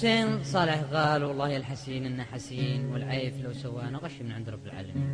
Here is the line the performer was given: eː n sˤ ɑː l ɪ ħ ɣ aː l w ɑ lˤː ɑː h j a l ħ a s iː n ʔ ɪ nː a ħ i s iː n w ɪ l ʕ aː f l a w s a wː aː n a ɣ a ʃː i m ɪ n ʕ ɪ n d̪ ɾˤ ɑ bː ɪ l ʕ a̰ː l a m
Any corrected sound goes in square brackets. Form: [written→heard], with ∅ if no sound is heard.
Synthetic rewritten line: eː n sˤ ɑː l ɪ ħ ɣ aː l w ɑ lˤː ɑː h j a l ħ a s iː n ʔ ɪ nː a ħ [i→a] s iː n w ɪ l ʕ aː f l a w s a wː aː n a ɣ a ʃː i m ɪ n ʕ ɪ n d̪ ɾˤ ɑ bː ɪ l ʕ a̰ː l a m